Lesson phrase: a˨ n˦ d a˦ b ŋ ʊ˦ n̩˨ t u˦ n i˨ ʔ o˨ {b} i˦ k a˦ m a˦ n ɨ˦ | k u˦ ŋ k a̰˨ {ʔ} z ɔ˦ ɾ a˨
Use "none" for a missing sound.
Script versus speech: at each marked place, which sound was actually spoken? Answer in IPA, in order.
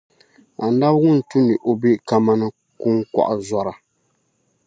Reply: b, ʔ

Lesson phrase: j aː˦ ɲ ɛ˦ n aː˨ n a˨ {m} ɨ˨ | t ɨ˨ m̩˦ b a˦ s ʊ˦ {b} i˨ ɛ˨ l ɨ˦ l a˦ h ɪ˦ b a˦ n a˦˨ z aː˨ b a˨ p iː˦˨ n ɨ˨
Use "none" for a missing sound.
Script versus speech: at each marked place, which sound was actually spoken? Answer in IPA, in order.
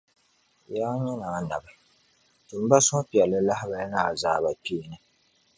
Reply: b, p

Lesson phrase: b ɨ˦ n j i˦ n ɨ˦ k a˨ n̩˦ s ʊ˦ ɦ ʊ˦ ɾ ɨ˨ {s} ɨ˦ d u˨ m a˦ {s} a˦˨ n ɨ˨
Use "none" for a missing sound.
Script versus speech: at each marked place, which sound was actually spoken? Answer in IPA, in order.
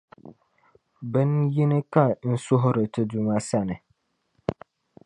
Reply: t, s

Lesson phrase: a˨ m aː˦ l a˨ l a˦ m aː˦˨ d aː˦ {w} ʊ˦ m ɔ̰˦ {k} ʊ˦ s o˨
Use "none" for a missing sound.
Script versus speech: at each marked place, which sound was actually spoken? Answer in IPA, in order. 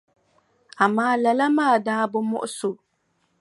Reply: b, ʔ

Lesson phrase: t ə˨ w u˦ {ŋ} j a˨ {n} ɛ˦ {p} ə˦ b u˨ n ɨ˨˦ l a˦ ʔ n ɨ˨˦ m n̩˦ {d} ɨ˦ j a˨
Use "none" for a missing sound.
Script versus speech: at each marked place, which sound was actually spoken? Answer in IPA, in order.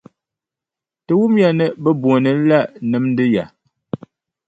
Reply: m, n, b, d

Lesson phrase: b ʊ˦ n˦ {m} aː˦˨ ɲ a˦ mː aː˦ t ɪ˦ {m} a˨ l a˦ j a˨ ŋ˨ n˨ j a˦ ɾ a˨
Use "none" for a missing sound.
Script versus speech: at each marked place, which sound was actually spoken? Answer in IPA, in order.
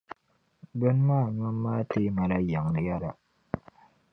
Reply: m, m

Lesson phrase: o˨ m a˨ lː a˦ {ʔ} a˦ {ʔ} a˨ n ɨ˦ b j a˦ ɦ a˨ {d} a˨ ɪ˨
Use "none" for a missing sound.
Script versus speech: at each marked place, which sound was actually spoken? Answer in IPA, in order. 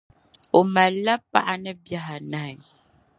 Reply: p, ʔ, n

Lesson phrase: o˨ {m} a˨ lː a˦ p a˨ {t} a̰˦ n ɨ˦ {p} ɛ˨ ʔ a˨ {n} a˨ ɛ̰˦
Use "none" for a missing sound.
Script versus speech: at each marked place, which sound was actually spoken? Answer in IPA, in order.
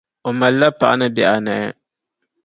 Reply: m, ʔ, b, n

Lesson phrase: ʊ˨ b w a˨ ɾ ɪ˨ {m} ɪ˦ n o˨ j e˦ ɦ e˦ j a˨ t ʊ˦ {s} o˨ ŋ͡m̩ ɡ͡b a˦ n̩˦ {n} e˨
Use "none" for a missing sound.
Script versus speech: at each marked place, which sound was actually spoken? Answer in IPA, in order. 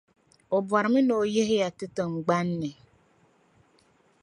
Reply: m, t, n

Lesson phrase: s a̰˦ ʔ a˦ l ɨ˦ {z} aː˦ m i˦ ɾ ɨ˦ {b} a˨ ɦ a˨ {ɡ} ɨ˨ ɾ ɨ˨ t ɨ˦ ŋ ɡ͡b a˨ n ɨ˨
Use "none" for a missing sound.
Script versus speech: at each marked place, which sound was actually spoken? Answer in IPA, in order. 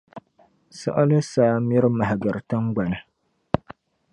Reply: s, m, ɡ

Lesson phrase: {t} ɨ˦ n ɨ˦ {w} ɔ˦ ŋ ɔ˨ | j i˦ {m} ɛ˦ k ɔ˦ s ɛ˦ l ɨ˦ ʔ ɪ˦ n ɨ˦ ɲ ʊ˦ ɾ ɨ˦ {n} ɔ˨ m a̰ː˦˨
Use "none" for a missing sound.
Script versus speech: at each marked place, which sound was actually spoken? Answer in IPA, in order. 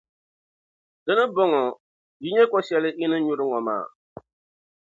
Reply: d, b, ɲ, ŋ

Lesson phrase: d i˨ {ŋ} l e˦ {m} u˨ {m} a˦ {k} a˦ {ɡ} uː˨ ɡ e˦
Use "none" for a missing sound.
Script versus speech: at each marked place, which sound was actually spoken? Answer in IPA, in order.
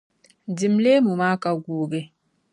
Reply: m, m, m, k, ɡ

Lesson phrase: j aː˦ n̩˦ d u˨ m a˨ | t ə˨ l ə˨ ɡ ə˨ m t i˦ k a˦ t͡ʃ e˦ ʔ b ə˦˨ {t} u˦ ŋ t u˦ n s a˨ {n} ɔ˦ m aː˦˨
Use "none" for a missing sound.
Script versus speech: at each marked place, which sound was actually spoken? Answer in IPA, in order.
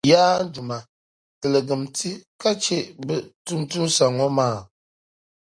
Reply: t, ŋ

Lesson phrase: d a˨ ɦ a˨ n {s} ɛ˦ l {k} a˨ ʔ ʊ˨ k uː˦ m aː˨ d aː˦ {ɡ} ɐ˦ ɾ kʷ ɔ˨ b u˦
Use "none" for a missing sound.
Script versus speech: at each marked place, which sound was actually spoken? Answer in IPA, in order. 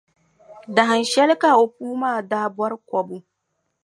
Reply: ʃ, k, b

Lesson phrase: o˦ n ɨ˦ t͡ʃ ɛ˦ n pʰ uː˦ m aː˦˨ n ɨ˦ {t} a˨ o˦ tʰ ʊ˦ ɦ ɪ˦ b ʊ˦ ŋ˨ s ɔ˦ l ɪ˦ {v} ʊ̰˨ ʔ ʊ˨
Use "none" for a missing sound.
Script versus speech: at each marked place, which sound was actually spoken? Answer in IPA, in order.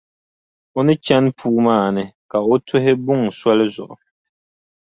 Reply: k, z

